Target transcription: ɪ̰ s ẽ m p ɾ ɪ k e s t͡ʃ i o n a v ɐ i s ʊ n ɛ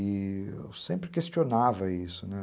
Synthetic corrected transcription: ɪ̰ s ẽ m p ɾ ɪ k e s t͡ʃ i o n a v ɐ i s ʊ n ɛ